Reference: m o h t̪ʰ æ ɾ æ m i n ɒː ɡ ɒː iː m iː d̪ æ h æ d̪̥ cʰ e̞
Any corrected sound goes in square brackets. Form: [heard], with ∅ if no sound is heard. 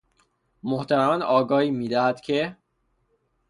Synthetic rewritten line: m o h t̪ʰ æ ɾ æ m [æ] n ɒː ɡ ɒː iː m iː d̪ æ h æ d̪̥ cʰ e̞